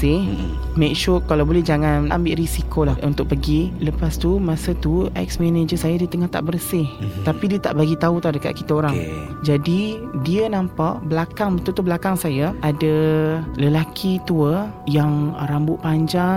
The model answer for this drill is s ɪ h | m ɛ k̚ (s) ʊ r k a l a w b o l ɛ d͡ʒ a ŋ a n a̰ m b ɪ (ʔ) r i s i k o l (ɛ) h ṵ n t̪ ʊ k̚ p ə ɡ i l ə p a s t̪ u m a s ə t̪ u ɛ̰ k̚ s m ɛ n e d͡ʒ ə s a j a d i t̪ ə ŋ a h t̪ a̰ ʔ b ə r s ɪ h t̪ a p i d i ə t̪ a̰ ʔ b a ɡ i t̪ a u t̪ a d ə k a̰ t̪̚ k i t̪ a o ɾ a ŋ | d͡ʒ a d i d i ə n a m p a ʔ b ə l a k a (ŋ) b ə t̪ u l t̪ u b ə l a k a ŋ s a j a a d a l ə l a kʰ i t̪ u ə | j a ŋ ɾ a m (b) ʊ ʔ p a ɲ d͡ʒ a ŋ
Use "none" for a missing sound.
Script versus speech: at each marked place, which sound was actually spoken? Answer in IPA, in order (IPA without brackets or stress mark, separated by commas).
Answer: ʃ, ʔ, a, ŋ, b